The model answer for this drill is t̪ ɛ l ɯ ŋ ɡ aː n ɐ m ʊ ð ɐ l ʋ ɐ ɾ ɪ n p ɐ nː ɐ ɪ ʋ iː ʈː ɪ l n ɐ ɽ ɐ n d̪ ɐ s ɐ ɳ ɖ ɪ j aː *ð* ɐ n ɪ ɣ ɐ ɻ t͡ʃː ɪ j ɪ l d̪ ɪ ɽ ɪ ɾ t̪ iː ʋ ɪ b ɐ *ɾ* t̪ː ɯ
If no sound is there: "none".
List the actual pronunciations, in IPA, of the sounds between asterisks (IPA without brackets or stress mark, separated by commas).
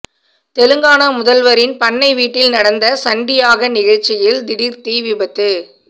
ɣ, none